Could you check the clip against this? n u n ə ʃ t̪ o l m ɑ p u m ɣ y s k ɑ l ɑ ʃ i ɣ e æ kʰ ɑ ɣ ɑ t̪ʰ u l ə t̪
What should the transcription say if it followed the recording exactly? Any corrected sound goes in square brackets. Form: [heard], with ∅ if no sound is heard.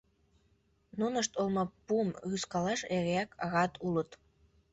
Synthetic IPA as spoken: n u n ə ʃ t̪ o l m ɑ p u m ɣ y s k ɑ l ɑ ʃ [e] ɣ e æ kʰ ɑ ɣ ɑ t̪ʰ u l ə t̪